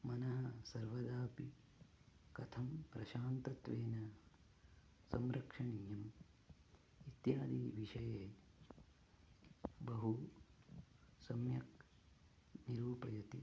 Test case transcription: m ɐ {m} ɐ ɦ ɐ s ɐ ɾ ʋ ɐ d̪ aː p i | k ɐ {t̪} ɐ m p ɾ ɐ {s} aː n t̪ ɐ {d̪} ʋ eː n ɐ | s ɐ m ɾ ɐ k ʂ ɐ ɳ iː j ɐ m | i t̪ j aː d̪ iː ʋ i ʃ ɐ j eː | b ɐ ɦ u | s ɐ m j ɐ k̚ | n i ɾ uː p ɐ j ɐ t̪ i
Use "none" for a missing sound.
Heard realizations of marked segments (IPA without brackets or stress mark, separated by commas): n, t̪ʰ, ʃ, t̪